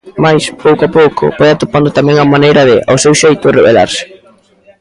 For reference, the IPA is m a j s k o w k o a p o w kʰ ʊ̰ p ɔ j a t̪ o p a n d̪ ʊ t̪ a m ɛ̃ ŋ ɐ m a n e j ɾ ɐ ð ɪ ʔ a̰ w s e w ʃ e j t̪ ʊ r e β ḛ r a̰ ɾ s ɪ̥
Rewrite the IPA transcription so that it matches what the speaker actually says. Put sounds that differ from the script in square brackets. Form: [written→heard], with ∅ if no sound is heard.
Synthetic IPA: m a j s [k→p] o w k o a p o w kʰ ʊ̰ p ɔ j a t̪ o p a n d̪ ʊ t̪ a m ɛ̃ ŋ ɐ m a n e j ɾ ɐ ð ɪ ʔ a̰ w s e w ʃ e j t̪ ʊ r e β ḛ [r→l] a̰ ɾ s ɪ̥